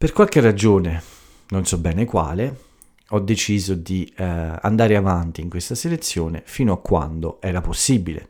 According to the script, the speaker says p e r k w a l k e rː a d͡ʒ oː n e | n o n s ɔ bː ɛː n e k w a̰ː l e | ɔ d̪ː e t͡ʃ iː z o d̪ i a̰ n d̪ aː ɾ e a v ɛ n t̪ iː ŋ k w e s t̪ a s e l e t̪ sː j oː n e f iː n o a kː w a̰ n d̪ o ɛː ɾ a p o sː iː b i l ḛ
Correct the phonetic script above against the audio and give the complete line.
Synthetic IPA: p e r k w a l k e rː a d͡ʒ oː n e | n o n s ɔ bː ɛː n e k w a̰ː l e | ɔ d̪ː e t͡ʃ iː z o d̪ i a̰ n d̪ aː ɾ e a v a n t̪ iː ŋ k w e s t̪ a s e l e t̪ sː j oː n e f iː n o a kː w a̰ n d̪ o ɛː ɾ a p o sː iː b i l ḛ